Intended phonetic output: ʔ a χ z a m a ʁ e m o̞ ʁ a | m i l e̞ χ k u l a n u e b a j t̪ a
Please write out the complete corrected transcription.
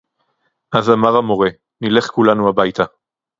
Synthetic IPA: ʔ a z a m a ʁ a m o̞ ʁ e | n i l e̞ χ k u l a n u a b a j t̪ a